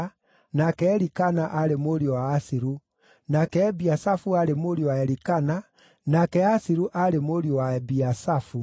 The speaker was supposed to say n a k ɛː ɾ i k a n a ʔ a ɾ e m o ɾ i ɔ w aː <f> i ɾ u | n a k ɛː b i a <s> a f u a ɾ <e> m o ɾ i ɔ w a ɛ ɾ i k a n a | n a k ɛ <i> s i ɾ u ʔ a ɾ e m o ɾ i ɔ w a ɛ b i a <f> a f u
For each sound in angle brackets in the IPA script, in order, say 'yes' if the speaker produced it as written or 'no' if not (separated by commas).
no, yes, yes, no, no